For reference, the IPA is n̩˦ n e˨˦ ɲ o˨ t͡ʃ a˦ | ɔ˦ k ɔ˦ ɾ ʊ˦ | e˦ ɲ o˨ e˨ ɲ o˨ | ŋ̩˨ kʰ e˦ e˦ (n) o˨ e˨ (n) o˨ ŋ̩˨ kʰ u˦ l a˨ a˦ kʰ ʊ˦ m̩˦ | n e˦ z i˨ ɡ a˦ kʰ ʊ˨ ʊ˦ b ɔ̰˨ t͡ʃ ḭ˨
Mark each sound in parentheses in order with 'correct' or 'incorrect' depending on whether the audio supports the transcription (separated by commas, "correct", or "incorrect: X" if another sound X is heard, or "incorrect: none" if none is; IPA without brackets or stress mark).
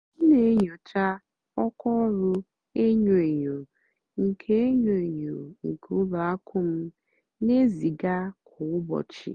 incorrect: ɲ, incorrect: ɲ